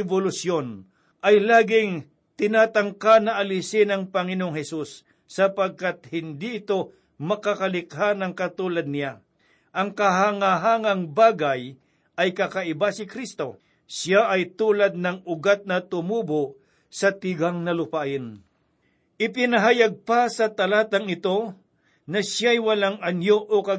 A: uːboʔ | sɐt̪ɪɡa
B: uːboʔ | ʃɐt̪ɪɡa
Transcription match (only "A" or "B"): A